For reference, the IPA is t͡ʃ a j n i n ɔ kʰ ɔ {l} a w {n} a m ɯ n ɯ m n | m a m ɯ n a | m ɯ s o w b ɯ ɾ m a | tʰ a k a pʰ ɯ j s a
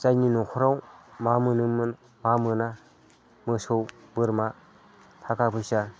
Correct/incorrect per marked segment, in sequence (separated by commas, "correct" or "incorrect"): incorrect, incorrect